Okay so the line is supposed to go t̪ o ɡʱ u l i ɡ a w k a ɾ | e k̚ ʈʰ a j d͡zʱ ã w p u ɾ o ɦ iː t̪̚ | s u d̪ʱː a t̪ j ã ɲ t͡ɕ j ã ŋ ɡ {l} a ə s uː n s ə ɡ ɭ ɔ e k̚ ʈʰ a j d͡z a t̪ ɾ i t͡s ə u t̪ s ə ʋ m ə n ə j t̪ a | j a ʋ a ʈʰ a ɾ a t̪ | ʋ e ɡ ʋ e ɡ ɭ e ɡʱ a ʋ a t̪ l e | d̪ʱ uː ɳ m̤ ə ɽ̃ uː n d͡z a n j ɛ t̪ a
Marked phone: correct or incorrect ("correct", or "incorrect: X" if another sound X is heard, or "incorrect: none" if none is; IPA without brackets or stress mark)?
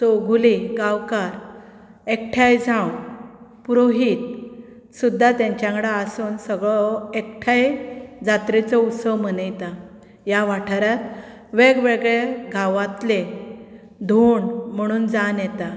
incorrect: ɽ